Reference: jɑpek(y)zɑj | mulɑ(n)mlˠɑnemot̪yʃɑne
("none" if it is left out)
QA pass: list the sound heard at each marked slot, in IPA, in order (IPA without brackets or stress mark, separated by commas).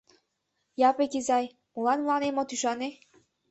i, n